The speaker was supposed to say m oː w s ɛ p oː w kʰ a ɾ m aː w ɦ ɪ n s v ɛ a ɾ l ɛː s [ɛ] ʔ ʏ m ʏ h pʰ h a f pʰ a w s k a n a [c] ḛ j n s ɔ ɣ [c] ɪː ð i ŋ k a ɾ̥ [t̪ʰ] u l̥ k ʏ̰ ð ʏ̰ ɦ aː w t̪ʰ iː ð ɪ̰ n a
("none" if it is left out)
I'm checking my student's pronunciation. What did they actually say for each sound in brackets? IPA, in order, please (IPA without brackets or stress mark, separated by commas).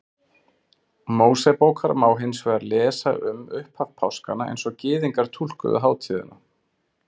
a, none, c, t̪ʰ